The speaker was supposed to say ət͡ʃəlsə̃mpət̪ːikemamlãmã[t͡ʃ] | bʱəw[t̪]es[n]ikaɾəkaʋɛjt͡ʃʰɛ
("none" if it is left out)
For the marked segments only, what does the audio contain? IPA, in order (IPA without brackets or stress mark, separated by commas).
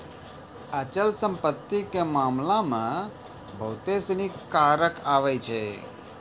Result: none, t̪, n